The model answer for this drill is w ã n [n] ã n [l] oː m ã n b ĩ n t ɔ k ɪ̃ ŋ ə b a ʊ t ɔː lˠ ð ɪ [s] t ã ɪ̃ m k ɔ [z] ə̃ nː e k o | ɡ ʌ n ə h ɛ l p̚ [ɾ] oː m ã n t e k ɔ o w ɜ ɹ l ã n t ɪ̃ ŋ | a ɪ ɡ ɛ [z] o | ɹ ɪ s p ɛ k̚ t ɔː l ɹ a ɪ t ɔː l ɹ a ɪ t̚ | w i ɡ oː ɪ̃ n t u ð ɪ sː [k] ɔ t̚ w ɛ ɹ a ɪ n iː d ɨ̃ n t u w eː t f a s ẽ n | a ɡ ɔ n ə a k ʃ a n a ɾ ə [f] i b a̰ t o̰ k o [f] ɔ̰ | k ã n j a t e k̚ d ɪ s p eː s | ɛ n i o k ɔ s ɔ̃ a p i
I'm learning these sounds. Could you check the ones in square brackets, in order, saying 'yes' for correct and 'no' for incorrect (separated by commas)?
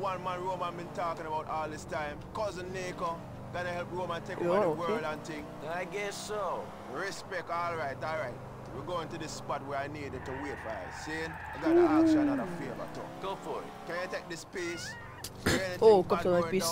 no, no, yes, yes, no, no, no, yes, yes